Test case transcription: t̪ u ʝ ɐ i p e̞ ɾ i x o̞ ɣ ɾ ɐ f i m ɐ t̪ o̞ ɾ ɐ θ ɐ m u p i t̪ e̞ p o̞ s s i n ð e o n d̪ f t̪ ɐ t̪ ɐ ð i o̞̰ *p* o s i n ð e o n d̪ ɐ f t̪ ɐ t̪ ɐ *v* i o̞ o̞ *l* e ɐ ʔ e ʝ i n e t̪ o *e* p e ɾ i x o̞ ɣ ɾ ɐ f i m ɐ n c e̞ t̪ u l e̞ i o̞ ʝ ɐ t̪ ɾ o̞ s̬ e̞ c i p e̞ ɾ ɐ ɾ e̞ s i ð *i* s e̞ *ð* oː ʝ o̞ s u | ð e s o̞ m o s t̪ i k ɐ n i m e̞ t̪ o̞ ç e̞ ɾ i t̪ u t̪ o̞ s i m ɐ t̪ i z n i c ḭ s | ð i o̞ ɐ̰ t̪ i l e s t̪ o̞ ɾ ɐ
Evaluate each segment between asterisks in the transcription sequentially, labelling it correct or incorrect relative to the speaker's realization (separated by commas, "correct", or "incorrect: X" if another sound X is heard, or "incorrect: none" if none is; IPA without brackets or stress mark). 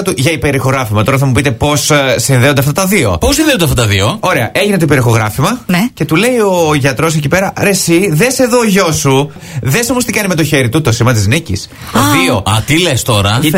correct, incorrect: ð, incorrect: ɾ, incorrect: i, incorrect: e, correct